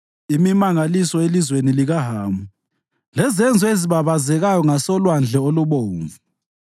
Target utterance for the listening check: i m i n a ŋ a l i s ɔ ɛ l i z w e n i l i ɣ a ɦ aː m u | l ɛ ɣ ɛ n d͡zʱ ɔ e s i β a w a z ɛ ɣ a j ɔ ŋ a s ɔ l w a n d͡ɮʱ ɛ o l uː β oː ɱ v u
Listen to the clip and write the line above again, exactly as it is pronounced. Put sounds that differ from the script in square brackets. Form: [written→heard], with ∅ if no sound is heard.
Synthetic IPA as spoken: i m i [n→m] a ŋ a l i s ɔ [ɛ→e] l i z w e n i l i ɣ a ɦ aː m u | l ɛ [ɣ→z] ɛ n d͡zʱ ɔ e [s→z] i β a [w→β] a z ɛ ɣ a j ɔ ŋ a s ɔ l w a n d͡ɮʱ ɛ o l [uː→u] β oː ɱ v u